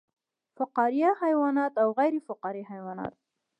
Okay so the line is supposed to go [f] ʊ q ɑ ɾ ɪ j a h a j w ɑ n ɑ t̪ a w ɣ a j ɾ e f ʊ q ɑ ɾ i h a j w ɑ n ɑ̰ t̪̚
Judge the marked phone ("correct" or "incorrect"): correct